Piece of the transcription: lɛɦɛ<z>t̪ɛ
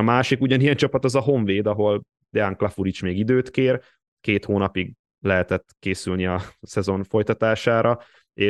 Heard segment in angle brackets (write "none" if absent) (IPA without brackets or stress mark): none